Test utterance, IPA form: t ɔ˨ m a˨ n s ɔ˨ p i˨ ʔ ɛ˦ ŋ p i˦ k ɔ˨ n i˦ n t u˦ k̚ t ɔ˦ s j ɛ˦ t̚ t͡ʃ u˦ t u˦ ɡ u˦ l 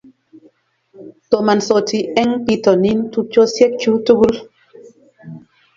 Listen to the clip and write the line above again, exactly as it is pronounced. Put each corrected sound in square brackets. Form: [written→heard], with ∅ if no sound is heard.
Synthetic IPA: t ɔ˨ m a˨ n s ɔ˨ [p→t] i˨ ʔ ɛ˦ ŋ p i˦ [k→t] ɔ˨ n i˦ n t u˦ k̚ [t→t͡ʃ] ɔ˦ s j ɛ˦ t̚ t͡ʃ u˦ t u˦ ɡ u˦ l